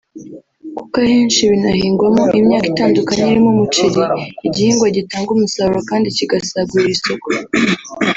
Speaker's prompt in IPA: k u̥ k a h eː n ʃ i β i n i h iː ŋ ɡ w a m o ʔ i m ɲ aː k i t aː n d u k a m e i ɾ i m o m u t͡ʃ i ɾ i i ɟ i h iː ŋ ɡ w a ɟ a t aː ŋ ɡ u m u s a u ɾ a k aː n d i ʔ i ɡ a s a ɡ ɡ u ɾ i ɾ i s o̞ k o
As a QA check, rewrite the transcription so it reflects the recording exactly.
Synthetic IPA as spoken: k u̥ k a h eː n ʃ i β i n a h iː ŋ ɡ w a m o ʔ i m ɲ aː k i t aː n d u k a ɲ e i ɾ i m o m u t͡ʃ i ɾ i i ɟ i h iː ŋ ɡ w a ɟ i t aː ŋ ɡ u m u s a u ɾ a k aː n d i c i ɡ a s a ɡ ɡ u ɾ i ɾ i s o̞ k o